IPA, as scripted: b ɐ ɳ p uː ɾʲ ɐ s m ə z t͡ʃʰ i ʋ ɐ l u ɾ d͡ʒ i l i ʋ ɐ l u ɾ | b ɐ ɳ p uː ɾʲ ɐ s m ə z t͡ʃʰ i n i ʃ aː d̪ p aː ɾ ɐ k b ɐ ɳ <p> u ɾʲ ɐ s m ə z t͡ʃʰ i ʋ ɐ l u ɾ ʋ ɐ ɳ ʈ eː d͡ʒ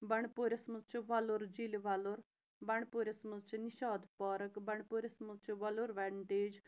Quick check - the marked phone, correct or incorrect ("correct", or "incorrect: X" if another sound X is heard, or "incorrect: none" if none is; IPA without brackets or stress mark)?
correct